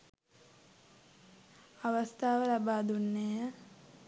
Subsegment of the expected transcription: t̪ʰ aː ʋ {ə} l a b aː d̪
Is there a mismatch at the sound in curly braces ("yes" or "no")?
no